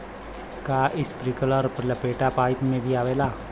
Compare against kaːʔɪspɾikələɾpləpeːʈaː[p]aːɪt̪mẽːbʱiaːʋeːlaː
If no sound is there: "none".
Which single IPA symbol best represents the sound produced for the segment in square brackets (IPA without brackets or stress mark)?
p